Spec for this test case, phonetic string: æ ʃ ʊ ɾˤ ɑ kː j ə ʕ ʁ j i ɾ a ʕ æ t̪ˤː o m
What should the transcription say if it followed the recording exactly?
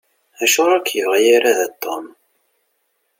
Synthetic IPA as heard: æ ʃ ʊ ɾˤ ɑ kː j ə v ʁ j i ɾ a ð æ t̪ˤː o m